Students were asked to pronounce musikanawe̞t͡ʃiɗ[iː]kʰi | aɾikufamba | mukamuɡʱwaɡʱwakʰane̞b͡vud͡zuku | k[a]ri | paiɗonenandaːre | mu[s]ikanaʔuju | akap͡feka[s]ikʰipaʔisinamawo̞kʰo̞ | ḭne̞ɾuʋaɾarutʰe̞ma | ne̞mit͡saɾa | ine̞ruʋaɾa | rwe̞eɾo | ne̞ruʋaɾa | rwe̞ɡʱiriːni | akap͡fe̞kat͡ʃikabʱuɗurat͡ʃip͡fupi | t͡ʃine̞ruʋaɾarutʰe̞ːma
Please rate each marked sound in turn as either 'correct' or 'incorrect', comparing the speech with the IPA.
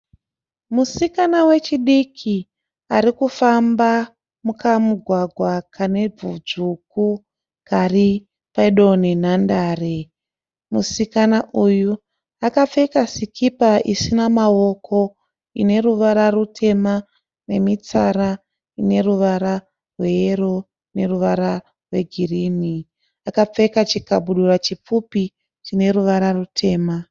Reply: incorrect: i, correct, correct, correct

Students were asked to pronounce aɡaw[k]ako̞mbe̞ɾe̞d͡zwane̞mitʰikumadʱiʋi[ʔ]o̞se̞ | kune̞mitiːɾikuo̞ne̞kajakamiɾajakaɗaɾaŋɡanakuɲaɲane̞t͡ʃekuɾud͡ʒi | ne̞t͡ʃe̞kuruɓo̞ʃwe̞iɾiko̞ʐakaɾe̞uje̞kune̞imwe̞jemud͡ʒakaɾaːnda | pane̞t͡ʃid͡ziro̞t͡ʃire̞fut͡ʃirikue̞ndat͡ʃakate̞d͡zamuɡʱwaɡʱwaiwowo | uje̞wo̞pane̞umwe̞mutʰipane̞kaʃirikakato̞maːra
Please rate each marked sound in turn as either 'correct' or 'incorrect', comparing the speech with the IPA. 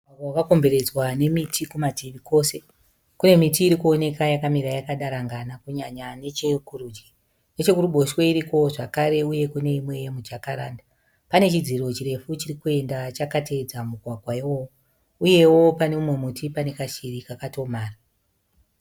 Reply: correct, incorrect: k

